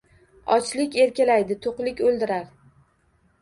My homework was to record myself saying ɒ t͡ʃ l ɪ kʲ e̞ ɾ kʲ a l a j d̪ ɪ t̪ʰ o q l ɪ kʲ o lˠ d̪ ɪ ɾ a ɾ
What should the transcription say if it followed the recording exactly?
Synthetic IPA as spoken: ɒ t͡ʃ l ɪ kʲ e̞ ɾ kʲ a l a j d̪ ɪ t̪ʰ o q l ɪ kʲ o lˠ d̪ ɪ ɾ a ɾ